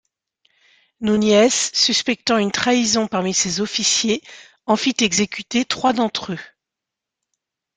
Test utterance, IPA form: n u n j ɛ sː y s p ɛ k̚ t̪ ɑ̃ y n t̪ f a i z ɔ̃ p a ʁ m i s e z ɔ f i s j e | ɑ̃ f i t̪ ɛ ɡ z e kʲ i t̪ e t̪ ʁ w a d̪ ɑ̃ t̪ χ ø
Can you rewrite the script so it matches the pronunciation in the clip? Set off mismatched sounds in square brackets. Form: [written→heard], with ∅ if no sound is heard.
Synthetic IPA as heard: n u n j ɛ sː y s p ɛ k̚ t̪ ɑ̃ y n t̪ [f→χ] a i z ɔ̃ p a ʁ m i s e z ɔ f i s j e | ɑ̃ f i t̪ ɛ ɡ z e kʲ [i→y] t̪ e t̪ [ʁ→χ] w a d̪ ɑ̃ t̪ χ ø